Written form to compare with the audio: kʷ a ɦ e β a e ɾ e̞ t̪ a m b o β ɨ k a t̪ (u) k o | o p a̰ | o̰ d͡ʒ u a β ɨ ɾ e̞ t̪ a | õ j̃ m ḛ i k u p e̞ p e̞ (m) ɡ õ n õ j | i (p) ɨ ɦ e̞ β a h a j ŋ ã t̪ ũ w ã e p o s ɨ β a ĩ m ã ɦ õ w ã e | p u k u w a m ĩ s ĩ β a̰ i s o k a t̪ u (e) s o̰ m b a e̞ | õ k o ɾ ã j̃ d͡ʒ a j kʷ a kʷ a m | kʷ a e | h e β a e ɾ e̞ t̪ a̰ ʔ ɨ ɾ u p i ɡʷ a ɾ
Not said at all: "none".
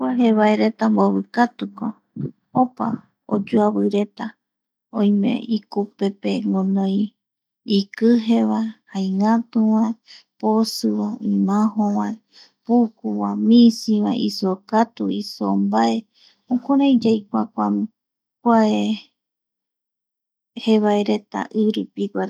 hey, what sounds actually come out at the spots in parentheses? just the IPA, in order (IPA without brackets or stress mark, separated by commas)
u, ŋ, k, i